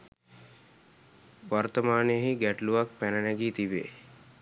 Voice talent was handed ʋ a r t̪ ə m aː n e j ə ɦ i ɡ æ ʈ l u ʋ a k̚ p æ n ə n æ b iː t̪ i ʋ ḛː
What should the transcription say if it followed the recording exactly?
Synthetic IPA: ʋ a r t̪ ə m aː n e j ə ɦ i ɡ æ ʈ l u ʋ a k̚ p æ n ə n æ ɡ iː t̪ i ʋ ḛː